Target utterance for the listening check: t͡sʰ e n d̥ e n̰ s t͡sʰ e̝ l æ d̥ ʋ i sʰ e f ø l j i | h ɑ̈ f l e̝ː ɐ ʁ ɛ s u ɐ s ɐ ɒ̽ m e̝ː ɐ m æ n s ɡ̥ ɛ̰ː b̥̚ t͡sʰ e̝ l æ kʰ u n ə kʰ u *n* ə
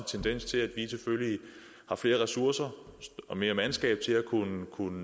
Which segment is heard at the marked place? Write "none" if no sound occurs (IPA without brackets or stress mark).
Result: n